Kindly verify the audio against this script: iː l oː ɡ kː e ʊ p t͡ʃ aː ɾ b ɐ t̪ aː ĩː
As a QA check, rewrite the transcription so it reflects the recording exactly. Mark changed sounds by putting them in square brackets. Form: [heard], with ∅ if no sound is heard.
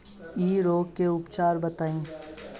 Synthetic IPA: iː [ɾ] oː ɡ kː e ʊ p t͡ʃ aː ɾ b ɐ t̪ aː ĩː